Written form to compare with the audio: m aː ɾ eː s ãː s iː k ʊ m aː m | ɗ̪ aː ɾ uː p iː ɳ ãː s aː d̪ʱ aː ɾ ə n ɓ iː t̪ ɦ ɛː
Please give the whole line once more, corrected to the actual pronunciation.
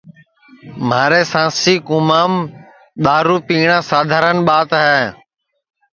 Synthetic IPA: m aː ɾ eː s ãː s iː k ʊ m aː m | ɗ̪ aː ɾ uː p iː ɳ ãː s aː d̪ʱ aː ɾ ə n ɓ aː t̪ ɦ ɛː